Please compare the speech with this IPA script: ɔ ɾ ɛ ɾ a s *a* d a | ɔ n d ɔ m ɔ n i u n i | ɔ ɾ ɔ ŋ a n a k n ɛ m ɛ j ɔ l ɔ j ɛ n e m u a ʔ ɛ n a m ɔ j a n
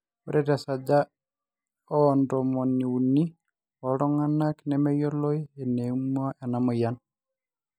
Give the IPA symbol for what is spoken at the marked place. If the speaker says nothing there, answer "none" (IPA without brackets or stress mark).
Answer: a